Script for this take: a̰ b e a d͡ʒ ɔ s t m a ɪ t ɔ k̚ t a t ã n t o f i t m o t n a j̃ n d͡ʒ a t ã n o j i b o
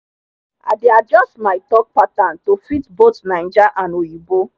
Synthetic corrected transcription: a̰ d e a d͡ʒ ɔ s t m a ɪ t ɔ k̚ p a t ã n t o f i t b o t n a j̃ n d͡ʒ a ʔ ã n o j i b o